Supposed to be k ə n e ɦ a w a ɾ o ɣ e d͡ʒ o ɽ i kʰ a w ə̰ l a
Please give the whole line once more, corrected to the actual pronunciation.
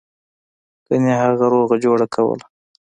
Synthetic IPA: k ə n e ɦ a ɣ a ɾ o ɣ a d͡ʒ o ɽ a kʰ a w ə̰ l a